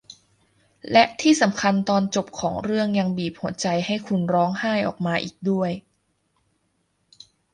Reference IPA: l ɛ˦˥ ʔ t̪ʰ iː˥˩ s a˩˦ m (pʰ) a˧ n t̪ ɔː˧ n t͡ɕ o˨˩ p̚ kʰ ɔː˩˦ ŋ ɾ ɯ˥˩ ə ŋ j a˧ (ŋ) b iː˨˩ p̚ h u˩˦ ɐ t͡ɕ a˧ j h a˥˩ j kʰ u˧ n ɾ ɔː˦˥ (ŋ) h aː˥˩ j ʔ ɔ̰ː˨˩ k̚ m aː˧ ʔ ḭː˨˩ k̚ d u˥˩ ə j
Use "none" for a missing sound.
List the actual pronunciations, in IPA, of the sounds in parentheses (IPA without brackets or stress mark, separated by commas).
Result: kʰ, ŋ, ŋ